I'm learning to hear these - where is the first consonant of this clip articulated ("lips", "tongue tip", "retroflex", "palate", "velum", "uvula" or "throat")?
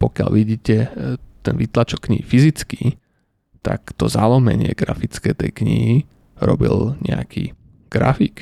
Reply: lips